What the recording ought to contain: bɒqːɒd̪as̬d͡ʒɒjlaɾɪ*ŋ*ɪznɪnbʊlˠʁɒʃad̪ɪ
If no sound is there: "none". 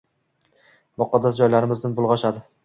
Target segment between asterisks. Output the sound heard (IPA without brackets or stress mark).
m